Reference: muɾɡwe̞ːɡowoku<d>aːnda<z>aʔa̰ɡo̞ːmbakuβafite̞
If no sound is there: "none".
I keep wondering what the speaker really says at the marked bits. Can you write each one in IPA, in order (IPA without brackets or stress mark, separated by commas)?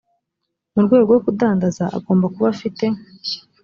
d, z